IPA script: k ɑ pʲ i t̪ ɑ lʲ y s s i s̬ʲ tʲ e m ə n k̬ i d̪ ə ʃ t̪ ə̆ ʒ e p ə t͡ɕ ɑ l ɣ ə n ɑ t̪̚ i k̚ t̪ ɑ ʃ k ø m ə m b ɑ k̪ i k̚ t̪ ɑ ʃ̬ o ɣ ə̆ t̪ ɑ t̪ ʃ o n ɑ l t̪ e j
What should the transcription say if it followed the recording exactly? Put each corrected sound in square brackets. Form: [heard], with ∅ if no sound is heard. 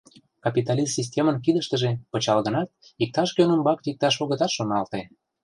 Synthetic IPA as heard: k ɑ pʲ i t̪ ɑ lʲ [i] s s i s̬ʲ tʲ e m ə n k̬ i d̪ ə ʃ t̪ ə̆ ʒ e p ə t͡ɕ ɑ l ɣ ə n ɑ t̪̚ i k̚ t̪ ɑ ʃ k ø [n] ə m b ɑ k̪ i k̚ t̪ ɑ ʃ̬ o ɣ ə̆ t̪ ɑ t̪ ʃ o n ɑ l t̪ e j